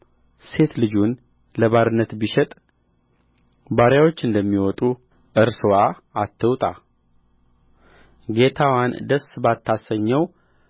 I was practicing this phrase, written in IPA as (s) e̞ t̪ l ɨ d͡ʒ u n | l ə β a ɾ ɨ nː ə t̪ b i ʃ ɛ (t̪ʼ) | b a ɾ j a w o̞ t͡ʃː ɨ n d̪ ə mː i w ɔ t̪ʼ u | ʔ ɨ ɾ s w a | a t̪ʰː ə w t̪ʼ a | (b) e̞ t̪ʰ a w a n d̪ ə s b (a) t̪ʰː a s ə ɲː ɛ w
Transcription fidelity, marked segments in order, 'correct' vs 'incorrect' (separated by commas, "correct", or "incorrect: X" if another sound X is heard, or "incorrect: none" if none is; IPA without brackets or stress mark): correct, correct, incorrect: ɡ, correct